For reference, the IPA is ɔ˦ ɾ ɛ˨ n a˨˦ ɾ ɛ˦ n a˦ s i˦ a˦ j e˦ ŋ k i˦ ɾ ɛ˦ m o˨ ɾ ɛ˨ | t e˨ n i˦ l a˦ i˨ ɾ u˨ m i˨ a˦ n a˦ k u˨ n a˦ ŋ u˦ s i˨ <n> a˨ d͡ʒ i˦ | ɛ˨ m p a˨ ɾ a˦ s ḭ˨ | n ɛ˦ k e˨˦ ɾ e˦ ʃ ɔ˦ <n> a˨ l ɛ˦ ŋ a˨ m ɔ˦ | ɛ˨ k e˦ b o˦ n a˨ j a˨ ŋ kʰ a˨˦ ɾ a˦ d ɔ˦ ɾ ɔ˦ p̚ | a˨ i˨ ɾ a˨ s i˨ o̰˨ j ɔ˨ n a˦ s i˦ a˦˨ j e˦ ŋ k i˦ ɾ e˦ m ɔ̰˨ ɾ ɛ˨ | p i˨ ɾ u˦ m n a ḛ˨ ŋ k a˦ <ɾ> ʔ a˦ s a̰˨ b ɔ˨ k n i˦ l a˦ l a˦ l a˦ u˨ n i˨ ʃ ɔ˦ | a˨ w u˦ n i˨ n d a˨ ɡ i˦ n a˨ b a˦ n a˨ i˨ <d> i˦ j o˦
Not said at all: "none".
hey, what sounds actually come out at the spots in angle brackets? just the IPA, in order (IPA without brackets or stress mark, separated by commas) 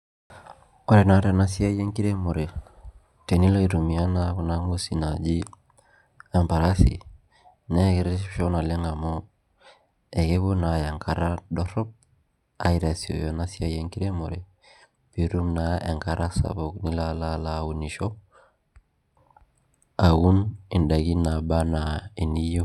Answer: n, n, ɾ, n